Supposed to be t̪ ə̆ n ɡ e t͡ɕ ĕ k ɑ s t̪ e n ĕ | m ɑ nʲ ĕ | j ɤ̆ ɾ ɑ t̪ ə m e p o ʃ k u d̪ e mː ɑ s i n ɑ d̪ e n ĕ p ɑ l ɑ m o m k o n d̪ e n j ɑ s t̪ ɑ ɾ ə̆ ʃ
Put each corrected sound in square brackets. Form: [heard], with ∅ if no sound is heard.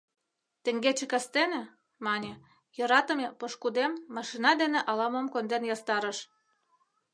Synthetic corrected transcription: t̪ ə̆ [ŋ] ɡ e t͡ɕ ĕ k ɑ s t̪ e n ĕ | m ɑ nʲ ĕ | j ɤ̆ ɾ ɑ t̪ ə m e p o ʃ k u d̪ e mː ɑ [ʃ] i n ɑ d̪ e n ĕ [ʔ] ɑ l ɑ m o m k o n d̪ e n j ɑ s t̪ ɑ ɾ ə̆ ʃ